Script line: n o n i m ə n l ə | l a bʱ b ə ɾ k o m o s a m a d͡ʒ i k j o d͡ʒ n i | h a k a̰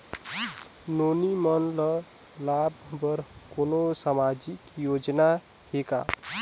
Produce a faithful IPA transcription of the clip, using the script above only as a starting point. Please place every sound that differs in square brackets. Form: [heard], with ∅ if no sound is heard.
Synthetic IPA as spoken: n o n i m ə n l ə | l a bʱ b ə ɾ k o [n] o s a m a d͡ʒ i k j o d͡ʒ n [a] | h [e] k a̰